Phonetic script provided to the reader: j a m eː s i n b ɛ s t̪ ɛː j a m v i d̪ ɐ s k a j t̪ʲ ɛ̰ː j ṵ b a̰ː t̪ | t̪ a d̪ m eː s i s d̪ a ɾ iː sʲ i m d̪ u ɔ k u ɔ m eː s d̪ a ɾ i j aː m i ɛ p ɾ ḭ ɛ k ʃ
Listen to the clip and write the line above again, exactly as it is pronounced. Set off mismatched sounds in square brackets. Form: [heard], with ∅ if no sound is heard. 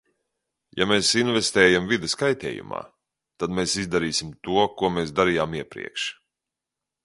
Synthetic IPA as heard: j a m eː s i n [v] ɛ s t̪ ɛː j a m v i d̪ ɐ s k a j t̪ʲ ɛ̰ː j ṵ [m] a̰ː [∅] | t̪ a d̪ m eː s i [z] d̪ a ɾ iː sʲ i m [t̪] u ɔ k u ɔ m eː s d̪ a ɾ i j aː m i ɛ p ɾ ḭ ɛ k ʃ